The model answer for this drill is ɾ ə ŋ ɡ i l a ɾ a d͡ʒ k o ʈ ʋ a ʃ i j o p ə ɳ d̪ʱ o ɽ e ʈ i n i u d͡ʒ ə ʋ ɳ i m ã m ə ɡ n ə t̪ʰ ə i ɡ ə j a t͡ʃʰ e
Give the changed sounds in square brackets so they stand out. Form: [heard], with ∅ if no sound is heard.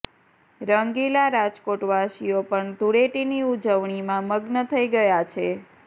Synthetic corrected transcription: ɾ ə ŋ ɡ i l a ɾ a d͡ʒ k o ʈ ʋ a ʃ i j o p ə ɳ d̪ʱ [u] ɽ e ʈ i n i u d͡ʒ ə ʋ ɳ i m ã m ə ɡ n ə t̪ʰ ə i ɡ ə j a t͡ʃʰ e